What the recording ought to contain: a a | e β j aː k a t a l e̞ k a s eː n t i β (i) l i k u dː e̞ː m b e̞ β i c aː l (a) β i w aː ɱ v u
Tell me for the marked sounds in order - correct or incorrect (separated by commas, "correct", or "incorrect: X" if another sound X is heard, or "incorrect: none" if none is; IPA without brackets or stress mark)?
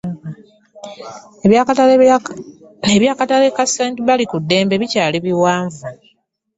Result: incorrect: a, incorrect: i